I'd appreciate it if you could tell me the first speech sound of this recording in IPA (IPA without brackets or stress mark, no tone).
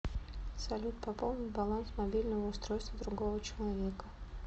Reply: s